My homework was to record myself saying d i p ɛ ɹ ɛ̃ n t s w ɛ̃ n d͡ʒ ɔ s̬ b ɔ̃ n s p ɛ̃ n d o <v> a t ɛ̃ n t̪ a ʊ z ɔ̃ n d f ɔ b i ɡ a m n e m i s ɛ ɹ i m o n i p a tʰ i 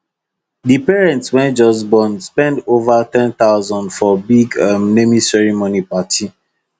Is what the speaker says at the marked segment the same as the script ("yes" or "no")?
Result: yes